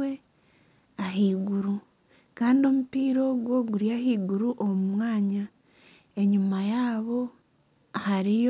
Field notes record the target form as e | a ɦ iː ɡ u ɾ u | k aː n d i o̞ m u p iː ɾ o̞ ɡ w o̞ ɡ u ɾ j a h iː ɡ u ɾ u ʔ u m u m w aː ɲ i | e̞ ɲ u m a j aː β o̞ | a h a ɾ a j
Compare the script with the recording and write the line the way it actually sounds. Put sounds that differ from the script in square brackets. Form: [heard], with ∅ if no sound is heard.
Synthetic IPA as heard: e | a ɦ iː ɡ u ɾ u | k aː n d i o̞ m u p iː ɾ o̞ ɡ w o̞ ɡ u ɾ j a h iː ɡ u ɾ u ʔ [o] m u m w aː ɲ [a] | e̞ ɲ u m a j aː β o̞ | a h a ɾ [i] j